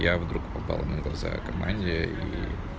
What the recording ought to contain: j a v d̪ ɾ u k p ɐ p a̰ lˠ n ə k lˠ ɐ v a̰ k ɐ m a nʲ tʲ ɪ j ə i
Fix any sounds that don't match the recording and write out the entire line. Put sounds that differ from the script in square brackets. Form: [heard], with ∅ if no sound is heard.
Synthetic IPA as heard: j a v d̪ ɾ u k p ɐ p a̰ lˠ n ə [ɡ] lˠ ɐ [z] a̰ k ɐ m a nʲ [dʲ] ɪ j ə i